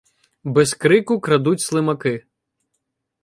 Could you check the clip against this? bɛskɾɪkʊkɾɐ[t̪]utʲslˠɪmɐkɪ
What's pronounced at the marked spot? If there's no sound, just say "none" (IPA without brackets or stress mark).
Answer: d̪